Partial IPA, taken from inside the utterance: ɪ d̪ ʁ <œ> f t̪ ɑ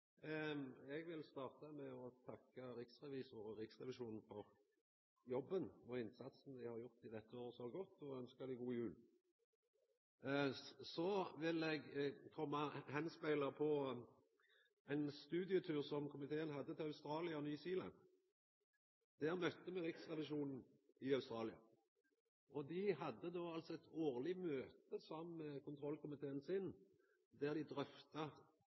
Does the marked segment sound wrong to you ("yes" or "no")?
no